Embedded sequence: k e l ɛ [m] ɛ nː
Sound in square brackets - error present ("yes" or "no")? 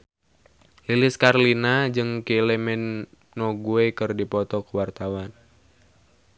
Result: no